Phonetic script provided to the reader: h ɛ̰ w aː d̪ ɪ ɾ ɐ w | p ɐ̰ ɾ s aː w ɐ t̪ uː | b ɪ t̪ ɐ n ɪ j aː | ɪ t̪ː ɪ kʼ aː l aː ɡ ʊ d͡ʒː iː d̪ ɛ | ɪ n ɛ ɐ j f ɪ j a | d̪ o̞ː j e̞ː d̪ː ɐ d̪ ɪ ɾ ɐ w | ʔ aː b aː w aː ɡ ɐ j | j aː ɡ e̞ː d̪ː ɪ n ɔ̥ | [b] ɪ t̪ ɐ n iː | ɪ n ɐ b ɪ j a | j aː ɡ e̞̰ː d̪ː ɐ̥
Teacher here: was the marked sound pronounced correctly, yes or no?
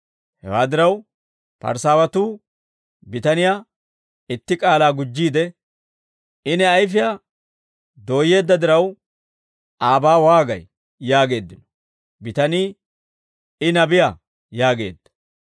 yes